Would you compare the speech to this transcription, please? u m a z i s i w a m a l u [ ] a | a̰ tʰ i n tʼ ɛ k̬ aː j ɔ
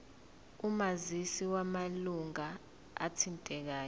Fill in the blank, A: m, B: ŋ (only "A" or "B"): B